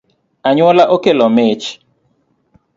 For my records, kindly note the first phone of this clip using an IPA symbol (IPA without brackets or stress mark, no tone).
a